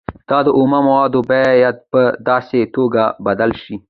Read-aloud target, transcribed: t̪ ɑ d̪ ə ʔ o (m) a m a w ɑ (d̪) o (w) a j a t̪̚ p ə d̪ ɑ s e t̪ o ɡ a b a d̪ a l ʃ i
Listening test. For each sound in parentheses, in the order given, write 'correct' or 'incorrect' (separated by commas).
correct, correct, incorrect